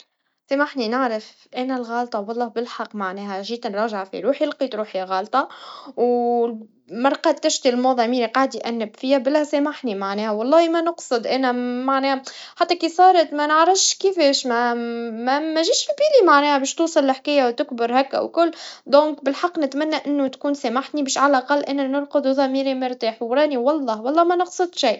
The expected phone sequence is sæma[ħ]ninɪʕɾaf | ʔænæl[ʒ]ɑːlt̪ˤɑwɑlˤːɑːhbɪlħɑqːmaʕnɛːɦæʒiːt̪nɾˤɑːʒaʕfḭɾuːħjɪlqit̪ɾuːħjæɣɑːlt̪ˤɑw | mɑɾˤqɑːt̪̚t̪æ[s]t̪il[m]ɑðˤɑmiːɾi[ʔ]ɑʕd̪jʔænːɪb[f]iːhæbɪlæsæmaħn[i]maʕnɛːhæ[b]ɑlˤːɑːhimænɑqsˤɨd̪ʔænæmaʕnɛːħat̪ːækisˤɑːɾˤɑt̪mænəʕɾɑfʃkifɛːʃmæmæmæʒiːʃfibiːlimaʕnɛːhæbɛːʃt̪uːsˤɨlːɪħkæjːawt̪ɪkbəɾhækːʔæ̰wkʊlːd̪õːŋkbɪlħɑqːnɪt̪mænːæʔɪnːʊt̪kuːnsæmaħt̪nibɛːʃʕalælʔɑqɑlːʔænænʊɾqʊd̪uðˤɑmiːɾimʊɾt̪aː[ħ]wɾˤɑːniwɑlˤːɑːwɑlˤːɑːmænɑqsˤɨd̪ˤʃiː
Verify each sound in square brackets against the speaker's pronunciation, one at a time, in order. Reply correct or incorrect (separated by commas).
correct, incorrect, incorrect, correct, incorrect, correct, correct, incorrect, correct